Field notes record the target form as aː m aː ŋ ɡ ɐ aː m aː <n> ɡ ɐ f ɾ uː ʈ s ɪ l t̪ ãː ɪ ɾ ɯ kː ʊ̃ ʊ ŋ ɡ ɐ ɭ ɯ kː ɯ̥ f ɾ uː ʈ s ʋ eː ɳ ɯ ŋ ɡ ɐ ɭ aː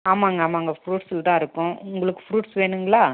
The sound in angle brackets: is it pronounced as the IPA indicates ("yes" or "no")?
no